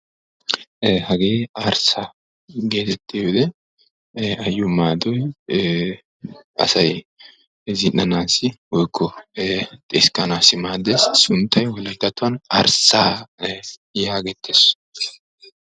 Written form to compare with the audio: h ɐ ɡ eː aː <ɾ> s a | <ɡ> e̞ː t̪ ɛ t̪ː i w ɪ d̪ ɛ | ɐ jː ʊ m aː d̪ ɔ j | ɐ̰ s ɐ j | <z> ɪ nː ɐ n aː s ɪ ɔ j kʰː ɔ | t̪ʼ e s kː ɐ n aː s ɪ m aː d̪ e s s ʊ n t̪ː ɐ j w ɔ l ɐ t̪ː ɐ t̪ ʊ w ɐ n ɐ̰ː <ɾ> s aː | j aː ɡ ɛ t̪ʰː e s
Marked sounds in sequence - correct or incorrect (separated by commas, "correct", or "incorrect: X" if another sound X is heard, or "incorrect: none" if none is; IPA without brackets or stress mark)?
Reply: correct, correct, correct, correct